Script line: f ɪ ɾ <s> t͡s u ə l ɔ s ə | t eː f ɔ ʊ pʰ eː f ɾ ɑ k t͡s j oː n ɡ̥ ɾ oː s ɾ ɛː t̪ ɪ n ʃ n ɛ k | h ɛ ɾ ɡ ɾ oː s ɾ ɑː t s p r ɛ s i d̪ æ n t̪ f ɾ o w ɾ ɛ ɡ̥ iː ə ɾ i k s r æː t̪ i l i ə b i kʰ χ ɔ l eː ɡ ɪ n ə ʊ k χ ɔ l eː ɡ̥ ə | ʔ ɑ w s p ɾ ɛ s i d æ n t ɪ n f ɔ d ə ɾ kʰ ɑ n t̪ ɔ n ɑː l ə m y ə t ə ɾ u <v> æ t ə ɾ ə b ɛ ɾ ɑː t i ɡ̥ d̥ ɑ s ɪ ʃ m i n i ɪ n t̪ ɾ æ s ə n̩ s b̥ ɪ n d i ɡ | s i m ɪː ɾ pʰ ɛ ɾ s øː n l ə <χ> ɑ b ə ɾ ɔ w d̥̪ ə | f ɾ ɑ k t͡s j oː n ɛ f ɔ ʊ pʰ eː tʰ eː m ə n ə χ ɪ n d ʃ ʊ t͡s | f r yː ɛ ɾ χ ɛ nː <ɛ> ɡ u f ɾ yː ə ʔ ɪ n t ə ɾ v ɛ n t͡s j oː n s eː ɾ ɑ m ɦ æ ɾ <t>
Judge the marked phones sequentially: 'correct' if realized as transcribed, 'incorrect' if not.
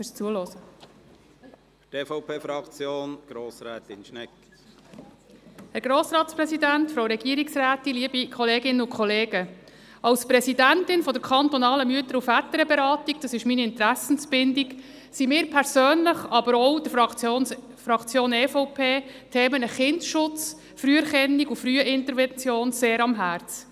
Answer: correct, incorrect: f, correct, incorrect: i, incorrect: t͡s

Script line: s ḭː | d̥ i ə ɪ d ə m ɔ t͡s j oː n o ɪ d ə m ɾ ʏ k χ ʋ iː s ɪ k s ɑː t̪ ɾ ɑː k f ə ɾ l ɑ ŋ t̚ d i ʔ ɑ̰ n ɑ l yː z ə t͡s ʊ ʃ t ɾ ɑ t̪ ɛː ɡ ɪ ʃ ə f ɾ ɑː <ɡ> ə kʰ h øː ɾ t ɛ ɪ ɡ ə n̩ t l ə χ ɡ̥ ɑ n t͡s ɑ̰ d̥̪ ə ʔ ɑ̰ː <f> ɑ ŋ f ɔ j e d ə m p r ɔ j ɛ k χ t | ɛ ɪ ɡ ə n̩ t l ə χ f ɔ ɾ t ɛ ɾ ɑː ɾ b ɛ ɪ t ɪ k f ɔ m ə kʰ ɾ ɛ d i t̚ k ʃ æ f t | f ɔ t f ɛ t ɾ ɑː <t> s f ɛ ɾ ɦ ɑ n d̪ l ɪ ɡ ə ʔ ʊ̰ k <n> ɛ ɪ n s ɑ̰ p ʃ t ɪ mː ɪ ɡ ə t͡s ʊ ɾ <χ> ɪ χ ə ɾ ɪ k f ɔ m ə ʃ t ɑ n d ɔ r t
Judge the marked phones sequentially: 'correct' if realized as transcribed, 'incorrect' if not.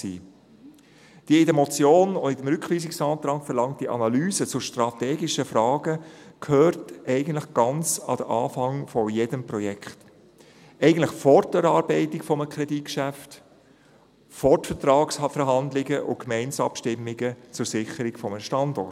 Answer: correct, correct, incorrect: k, incorrect: m, incorrect: s

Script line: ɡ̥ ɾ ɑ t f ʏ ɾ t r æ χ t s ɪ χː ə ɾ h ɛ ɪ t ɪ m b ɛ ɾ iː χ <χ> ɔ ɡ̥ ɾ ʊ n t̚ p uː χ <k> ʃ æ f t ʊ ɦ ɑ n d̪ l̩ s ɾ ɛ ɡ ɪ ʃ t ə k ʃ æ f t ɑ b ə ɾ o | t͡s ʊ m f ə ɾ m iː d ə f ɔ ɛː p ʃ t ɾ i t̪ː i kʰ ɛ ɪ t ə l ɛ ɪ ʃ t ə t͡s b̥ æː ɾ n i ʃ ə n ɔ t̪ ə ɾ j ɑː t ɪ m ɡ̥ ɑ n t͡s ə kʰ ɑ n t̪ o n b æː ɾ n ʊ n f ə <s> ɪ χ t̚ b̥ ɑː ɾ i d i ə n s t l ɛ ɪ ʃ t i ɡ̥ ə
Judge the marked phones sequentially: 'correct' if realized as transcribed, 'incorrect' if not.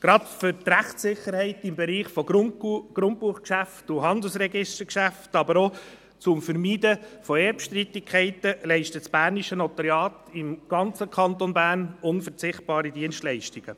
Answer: incorrect: f, correct, incorrect: t͡s

